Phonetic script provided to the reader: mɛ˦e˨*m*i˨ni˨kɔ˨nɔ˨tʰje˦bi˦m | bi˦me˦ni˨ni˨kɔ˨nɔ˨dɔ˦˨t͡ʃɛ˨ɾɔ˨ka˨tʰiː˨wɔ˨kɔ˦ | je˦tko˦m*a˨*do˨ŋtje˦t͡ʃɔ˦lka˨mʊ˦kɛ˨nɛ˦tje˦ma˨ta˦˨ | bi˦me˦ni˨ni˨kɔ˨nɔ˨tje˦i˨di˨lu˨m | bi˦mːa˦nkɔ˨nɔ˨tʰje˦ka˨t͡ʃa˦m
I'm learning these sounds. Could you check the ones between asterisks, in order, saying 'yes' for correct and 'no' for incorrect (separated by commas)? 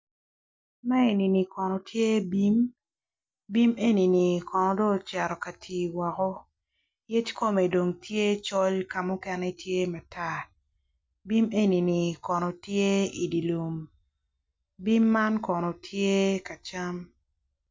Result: no, no